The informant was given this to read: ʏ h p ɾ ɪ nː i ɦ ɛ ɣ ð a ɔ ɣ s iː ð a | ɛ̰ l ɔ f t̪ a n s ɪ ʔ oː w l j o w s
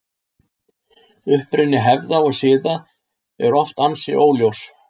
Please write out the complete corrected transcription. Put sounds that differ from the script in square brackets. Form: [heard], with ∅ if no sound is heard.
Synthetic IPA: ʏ h p ɾ ɪ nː [ɪ] ɦ ɛ [v] ð a ɔ ɣ s [ɪː] ð a | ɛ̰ [ɾ] ɔ f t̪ a n s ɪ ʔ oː w l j o w s